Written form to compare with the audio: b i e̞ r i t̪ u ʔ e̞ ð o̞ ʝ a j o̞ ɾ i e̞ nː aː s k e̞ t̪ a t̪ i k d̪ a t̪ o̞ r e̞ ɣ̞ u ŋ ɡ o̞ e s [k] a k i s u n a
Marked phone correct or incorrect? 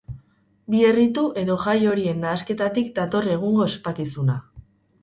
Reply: incorrect